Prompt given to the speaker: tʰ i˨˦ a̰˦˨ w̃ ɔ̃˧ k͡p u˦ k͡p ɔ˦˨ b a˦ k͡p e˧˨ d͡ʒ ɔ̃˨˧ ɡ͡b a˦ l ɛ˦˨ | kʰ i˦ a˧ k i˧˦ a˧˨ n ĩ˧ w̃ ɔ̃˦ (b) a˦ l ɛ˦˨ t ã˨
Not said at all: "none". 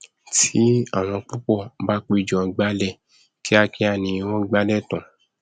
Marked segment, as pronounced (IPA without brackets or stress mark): ɡ͡b